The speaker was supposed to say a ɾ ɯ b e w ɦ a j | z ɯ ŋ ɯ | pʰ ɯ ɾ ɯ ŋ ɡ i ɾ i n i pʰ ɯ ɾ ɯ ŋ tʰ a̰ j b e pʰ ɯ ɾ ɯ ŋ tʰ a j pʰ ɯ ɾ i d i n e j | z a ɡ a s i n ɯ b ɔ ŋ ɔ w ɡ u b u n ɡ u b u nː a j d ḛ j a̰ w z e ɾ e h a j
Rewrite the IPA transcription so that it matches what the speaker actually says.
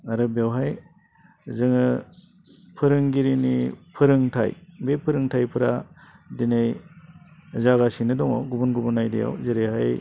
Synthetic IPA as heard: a ɾ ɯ b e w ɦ a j | z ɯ ŋ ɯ | pʰ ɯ ɾ ɯ ŋ ɡ i ɾ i n i pʰ ɯ ɾ ɯ ŋ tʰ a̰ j b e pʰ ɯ ɾ ɯ ŋ tʰ a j pʰ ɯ ɾ a d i n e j | z a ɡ a s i n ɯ d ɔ ŋ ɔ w ɡ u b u n ɡ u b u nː a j d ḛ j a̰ w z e ɾ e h a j